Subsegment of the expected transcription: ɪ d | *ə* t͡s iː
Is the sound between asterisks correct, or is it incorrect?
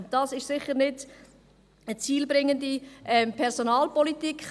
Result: correct